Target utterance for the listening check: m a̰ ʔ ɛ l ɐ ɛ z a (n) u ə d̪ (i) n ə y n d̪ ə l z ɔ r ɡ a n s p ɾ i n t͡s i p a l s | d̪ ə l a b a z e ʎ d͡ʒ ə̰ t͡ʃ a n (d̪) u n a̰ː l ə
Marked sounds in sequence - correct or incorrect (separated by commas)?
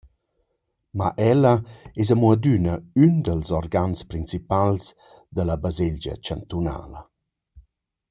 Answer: incorrect, incorrect, incorrect